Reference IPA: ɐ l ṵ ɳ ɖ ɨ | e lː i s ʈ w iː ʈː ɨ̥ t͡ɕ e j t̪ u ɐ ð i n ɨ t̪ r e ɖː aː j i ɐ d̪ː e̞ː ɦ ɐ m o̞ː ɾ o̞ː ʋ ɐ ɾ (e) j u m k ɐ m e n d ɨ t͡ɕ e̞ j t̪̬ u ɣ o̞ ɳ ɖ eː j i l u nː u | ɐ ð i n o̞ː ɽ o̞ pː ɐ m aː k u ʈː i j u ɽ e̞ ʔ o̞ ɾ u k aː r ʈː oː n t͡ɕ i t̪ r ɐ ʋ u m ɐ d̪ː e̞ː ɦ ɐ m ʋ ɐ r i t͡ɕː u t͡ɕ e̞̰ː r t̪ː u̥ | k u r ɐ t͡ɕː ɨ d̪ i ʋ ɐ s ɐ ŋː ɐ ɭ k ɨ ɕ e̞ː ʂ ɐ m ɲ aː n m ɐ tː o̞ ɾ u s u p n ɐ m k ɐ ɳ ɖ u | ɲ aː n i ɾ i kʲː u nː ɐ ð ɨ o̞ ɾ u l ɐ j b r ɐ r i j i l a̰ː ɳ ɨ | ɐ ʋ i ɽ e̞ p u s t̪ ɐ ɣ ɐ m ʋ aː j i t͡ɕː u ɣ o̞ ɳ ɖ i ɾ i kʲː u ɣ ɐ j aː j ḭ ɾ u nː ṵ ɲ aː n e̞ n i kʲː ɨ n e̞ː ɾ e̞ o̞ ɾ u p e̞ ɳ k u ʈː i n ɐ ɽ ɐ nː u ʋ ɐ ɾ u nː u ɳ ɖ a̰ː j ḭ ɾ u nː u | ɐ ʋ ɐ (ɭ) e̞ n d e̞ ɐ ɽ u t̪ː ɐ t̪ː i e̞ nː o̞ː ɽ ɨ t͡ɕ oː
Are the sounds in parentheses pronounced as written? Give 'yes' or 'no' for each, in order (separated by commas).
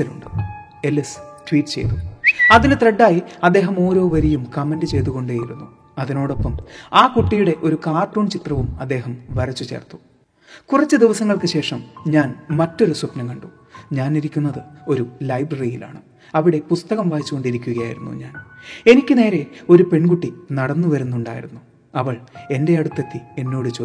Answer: no, yes